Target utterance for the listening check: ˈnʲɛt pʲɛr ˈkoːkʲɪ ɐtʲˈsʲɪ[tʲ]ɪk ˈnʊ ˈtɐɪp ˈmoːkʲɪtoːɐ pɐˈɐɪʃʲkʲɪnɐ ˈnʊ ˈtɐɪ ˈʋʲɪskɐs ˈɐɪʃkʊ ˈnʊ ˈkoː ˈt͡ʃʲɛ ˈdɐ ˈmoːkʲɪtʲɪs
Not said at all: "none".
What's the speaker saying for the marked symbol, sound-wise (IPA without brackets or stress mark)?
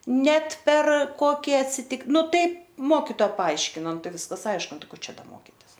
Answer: tʲ